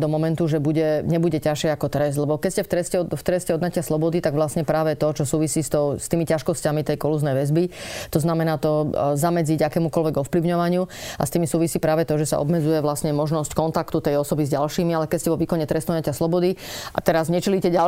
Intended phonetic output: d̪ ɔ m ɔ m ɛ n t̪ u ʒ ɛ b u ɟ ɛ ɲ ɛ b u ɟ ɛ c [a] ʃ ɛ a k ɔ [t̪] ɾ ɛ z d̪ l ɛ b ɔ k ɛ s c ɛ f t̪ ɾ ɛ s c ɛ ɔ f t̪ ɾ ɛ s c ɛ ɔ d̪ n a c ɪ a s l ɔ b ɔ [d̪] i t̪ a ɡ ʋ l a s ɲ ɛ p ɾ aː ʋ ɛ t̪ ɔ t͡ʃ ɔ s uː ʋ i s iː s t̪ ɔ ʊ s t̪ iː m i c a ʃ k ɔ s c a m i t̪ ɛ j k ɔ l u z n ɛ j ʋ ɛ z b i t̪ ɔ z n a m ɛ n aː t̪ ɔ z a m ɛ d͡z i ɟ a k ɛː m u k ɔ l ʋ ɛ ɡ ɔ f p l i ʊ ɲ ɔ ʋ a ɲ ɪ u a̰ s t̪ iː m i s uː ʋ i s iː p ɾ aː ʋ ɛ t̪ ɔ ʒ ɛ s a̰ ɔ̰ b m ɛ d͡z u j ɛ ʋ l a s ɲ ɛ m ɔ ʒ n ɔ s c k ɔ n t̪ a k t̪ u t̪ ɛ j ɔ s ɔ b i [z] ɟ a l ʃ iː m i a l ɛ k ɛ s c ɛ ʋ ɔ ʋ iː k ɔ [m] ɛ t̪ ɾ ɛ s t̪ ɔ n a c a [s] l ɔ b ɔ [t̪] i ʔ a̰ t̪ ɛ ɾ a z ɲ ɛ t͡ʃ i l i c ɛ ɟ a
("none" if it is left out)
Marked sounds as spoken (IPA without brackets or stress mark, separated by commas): a, t̪, d̪, z, ɲ, s, d̪